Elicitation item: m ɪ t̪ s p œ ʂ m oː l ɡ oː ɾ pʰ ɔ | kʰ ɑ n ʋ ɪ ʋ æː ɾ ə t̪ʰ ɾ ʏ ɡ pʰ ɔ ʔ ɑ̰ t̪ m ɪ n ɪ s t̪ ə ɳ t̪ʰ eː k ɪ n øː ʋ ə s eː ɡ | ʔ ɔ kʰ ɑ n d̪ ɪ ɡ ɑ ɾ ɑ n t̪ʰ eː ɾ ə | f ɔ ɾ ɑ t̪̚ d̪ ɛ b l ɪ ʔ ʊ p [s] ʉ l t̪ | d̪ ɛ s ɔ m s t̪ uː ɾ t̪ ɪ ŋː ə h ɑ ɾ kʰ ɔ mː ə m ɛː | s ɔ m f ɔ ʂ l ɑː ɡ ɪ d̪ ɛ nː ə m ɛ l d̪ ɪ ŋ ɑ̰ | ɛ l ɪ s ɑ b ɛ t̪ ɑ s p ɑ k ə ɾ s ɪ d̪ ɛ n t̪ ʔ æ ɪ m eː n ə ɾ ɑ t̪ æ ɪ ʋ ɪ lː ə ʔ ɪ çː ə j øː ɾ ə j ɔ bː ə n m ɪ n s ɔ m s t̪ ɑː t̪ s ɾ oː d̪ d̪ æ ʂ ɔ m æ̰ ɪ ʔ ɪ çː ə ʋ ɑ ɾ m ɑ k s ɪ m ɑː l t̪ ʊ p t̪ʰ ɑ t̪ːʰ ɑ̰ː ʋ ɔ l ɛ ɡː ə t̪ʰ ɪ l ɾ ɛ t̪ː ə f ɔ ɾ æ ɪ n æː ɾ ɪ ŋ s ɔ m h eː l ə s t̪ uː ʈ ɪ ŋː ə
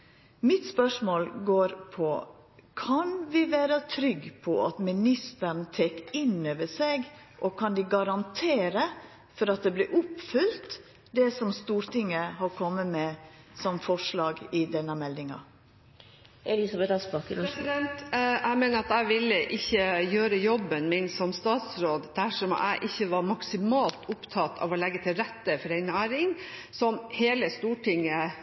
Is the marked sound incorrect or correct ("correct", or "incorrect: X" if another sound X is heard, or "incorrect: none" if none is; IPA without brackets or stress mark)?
incorrect: f